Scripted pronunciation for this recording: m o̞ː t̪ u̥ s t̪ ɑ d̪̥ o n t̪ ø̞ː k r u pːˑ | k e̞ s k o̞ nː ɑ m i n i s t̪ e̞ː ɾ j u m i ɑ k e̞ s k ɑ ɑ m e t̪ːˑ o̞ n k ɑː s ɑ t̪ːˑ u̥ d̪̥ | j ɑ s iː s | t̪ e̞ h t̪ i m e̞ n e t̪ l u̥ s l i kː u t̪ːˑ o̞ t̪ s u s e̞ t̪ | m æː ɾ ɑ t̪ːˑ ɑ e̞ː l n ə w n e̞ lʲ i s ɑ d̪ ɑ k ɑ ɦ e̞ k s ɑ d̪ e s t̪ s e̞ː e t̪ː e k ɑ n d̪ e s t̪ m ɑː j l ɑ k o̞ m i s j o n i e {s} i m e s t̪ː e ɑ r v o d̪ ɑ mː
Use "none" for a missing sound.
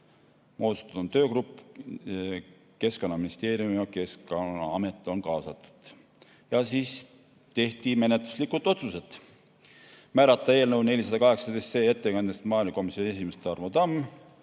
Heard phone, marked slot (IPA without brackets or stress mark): s